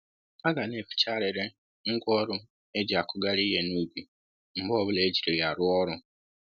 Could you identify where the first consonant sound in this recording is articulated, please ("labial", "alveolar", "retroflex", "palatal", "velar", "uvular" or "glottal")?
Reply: velar